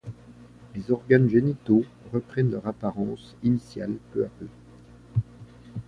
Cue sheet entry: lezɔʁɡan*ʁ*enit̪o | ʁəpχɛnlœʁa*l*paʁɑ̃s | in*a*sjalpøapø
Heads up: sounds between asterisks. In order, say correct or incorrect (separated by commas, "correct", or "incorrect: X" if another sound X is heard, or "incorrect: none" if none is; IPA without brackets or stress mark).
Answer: incorrect: ʒ, incorrect: none, incorrect: i